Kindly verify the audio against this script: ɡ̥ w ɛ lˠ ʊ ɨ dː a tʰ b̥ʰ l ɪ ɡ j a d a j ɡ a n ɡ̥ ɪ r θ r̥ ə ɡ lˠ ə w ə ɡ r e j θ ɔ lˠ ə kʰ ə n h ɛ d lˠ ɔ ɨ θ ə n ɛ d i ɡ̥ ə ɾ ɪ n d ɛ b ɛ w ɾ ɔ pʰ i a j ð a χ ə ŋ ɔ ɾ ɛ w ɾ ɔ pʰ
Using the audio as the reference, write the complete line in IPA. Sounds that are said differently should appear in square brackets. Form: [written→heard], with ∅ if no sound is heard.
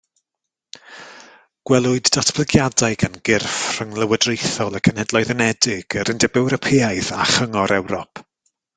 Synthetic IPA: ɡ̥ w ɛ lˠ ʊ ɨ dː a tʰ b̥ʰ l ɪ ɡ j a d a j ɡ a n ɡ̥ ɪ r [θ→f] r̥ ə [ɡ→ŋ] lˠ ə w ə [ɡ→d] r e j θ ɔ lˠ ə kʰ ə n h ɛ d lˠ ɔ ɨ [θ→ð] ə n ɛ d [i→ɪ] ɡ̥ ə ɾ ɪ n d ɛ b ɛ w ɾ ɔ pʰ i a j ð a χ ə ŋ ɔ ɾ ɛ w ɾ ɔ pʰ